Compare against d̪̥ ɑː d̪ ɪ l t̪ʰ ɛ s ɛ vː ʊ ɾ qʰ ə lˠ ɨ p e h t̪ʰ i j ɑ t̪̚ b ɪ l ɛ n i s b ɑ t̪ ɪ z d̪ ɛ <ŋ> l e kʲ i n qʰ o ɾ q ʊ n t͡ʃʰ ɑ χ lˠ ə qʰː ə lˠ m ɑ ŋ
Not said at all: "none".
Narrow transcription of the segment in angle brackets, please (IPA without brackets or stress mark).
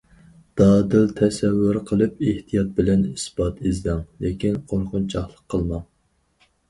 ŋ